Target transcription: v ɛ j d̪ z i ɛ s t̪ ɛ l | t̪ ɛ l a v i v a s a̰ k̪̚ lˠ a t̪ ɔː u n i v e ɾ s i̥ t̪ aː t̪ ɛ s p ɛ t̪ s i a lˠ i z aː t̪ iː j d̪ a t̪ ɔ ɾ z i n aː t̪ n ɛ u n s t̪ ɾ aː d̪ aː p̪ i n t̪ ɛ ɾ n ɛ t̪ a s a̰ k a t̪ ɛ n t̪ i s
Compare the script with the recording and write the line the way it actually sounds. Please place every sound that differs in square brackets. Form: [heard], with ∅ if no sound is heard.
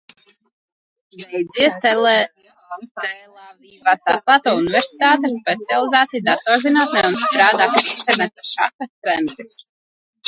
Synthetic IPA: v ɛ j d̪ z i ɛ s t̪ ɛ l | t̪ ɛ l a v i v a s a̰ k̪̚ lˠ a t̪ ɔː u n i v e ɾ s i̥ t̪ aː t̪ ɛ s p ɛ t̪ s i a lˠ i z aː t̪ [i] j d̪ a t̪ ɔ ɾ z i n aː t̪ n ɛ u n s t̪ ɾ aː d̪ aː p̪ i n t̪ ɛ ɾ n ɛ t̪ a [ʃ] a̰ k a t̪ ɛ n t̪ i s